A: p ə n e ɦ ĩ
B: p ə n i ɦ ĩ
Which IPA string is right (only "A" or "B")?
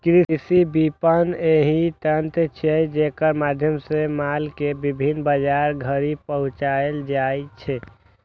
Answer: A